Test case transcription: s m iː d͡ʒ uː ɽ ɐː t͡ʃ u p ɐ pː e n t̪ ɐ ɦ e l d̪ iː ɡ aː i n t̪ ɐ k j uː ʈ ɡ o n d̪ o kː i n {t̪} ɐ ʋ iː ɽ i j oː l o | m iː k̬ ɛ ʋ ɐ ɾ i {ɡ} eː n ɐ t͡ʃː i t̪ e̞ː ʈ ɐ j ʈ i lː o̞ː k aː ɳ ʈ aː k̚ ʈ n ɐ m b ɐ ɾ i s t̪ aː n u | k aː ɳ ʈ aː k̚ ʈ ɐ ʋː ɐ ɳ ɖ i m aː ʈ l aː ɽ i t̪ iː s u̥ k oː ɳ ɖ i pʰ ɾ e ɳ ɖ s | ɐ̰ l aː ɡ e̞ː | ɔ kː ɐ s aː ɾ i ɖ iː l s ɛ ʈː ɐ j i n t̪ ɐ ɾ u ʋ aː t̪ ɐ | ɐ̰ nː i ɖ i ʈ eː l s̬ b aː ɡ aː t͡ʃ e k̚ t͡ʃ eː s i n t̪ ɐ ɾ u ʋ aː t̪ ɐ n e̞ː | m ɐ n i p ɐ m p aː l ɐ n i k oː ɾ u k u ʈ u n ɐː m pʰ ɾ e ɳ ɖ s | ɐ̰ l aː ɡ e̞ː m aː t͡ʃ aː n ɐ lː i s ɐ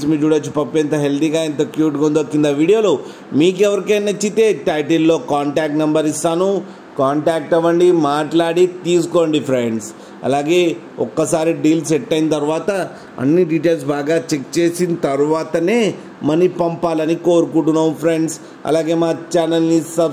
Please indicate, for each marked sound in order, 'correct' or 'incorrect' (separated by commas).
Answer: incorrect, incorrect